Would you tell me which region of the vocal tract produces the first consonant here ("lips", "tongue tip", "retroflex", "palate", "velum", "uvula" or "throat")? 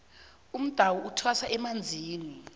lips